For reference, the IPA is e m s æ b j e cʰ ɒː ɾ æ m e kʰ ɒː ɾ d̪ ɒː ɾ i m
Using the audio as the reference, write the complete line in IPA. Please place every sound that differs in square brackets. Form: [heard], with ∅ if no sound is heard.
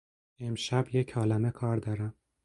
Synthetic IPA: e m [ʃ] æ b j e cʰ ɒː [l] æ m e kʰ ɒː ɾ d̪ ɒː ɾ [æ] m